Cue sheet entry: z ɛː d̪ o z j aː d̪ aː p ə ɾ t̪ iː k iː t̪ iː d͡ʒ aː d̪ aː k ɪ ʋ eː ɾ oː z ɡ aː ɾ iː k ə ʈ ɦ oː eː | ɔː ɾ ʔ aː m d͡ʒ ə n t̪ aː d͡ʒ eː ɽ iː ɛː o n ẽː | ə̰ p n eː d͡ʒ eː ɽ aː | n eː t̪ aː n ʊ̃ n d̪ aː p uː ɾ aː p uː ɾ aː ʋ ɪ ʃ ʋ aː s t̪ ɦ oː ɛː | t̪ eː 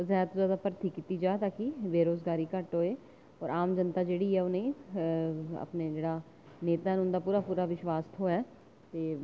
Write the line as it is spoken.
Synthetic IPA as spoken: z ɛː t̪ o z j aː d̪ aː p ə ɾ t̪ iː k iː t̪ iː d͡ʒ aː t̪ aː k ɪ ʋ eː ɾ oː z ɡ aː ɾ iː k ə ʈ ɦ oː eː | ɔː ɾ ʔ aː m d͡ʒ ə n t̪ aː d͡ʒ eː ɽ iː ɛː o n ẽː | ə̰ p n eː d͡ʒ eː ɽ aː | n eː t̪ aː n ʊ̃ n d̪ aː p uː ɾ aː p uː ɾ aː ʋ ɪ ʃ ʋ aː s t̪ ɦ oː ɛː | t̪ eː